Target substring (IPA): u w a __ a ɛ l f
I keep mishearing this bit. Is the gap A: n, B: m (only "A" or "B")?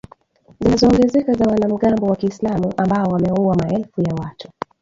B